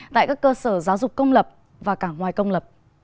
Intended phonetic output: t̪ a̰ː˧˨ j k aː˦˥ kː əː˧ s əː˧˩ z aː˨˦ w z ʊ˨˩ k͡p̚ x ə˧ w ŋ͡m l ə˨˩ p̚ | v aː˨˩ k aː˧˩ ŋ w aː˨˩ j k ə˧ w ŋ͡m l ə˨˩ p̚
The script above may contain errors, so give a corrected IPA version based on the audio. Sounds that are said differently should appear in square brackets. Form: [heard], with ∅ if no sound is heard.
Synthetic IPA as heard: t̪ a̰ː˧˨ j k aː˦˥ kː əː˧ s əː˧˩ z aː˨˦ w z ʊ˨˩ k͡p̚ [k] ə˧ w ŋ͡m l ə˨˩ p̚ | v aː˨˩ k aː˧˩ ŋ w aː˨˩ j k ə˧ w ŋ͡m l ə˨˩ p̚

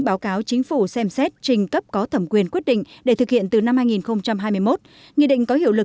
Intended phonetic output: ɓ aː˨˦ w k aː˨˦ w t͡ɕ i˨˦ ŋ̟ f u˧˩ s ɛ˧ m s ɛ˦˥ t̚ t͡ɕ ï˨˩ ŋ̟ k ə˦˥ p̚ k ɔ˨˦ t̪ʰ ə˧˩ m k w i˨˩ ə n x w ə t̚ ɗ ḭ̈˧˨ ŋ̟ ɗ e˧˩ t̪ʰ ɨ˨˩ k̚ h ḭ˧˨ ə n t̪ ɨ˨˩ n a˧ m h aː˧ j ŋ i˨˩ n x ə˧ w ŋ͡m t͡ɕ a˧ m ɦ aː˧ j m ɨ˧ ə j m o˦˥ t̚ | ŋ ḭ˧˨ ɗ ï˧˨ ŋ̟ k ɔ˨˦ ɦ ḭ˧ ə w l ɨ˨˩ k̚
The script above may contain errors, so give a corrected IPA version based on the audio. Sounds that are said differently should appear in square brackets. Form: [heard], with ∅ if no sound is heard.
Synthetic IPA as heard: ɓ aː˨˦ w k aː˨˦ w t͡ɕ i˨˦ ŋ̟ f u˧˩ s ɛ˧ m s ɛ˦˥ t̚ t͡ɕ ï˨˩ ŋ̟ k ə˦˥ p̚ k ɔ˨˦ t̪ʰ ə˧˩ m k w i˨˩ ə n [k] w ə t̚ ɗ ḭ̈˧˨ ŋ̟ ɗ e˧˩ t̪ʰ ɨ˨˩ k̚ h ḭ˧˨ ə n t̪ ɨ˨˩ n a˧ m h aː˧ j ŋ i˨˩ n x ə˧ w ŋ͡m t͡ɕ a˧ m ɦ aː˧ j m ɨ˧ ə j m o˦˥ t̚ | ŋ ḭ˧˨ ɗ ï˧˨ ŋ̟ k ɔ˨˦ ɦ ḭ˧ ə w l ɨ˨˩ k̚

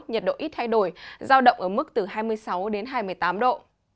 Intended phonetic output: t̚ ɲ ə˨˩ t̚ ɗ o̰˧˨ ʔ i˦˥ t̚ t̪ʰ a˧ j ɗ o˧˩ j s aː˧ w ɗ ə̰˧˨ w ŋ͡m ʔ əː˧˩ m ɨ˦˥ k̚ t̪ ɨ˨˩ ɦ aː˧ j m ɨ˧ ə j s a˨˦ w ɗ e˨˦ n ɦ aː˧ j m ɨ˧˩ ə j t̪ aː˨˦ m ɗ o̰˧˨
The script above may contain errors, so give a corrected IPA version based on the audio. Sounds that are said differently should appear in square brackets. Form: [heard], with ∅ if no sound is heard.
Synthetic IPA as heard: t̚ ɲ ə˨˩ t̚ ɗ o̰˧˨ ʔ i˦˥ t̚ t̪ʰ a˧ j ɗ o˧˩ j [z] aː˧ w ɗ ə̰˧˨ w ŋ͡m ʔ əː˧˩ m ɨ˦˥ k̚ t̪ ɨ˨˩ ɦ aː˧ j m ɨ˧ ə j s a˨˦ w ɗ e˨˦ n ɦ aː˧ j m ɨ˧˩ ə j t̪ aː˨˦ m ɗ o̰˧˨

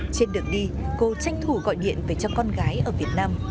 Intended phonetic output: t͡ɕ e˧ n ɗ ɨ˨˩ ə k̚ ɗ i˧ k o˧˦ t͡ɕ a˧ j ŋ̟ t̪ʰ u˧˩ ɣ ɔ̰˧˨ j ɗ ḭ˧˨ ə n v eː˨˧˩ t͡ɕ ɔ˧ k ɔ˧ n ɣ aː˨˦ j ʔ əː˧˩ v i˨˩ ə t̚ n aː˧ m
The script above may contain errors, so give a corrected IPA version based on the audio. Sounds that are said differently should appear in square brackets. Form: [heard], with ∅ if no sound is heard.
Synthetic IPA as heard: t͡ɕ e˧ n ɗ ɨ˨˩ ə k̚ ɗ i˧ k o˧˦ t͡ɕ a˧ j ŋ̟ t̪ʰ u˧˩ ɣ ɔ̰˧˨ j ɗ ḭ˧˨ ə n v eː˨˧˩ t͡ɕ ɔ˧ k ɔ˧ n ɣ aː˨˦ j ʔ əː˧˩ v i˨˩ ə t̚ n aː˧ m

